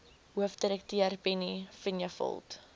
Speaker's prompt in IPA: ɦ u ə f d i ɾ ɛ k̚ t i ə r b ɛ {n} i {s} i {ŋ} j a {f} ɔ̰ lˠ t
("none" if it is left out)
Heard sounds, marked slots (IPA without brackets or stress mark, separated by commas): n, f, n, f